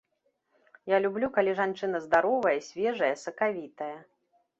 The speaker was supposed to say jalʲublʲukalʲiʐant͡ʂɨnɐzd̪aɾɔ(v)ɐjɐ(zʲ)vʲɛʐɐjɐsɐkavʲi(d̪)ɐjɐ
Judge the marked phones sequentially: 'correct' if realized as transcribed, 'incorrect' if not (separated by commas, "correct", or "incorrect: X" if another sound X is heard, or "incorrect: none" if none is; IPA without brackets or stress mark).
correct, incorrect: sʲ, incorrect: t̪